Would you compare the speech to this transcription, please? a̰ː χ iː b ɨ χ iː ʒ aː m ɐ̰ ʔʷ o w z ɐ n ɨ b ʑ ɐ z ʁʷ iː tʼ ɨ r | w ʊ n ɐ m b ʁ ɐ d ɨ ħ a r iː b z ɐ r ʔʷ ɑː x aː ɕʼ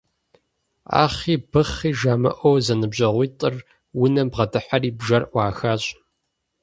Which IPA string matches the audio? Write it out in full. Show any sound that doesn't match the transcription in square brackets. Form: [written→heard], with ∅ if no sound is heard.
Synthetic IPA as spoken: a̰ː χ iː b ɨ χ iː ʒ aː m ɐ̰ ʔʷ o w z ɐ n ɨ b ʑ ɐ [z→∅] ʁʷ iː tʼ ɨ r | w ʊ n ɐ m b ʁ ɐ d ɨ ħ a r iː b [z→ʒ] ɐ r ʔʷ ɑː x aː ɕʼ